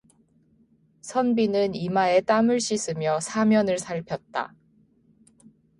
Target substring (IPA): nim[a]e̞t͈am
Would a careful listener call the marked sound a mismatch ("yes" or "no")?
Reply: no